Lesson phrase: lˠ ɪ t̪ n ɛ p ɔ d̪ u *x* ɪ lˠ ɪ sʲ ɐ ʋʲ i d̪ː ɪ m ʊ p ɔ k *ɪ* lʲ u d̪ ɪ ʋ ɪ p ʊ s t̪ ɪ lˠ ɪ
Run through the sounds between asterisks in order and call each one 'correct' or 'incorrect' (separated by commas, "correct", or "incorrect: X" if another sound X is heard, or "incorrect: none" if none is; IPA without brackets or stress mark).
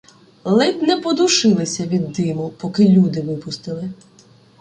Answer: incorrect: ʃ, correct